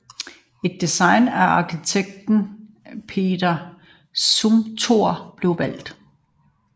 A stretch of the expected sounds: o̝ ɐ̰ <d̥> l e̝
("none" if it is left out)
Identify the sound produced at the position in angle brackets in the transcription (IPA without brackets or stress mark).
b̥